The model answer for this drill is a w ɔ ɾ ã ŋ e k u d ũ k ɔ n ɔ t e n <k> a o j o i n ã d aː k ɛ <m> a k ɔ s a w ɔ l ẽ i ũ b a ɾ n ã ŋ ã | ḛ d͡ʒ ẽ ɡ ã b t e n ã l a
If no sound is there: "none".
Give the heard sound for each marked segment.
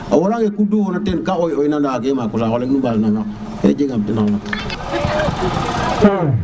k, m

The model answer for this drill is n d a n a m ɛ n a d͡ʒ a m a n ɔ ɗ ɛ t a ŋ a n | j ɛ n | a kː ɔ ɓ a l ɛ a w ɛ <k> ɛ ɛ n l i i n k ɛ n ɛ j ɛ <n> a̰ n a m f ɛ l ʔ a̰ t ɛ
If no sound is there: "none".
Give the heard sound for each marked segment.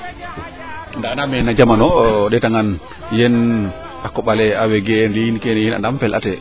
ɡ, n

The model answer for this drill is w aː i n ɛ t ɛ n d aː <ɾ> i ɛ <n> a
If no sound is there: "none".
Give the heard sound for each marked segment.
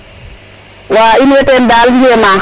l, m

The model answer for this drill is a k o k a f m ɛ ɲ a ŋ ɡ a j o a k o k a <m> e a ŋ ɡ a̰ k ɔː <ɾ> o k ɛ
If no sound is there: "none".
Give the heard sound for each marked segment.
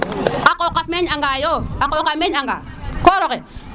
m, ɾ

